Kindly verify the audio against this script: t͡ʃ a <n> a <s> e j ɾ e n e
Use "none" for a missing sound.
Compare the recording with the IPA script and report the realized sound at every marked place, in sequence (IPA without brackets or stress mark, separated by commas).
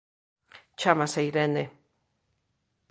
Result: m, s